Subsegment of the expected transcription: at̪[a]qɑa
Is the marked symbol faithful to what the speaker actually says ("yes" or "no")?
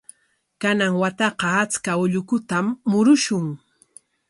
no